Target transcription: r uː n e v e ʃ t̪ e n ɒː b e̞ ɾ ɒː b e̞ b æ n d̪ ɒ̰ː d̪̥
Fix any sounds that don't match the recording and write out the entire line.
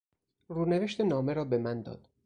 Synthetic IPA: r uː n e v e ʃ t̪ e n ɒː m e̞ ɾ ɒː b e̞ m æ n d̪ ɒ̰ː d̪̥